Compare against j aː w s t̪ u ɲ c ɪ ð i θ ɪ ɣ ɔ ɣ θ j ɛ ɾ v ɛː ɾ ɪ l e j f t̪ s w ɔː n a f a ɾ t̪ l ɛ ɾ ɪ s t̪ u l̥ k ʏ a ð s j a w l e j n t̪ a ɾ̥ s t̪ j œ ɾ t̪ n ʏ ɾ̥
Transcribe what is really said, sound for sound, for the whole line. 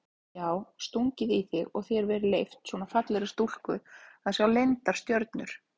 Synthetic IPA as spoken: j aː w s t̪ u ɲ c ɪ ð i θ ɪ ɣ ɔ ɣ θ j ɛ ɾ v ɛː ɾ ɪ l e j f t̪ s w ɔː n a f a t̪ l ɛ ɾ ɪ s t̪ u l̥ k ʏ a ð s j a w l e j n t̪ a ɾ̥ s t̪ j œ ɾ t̪ n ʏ ɾ̥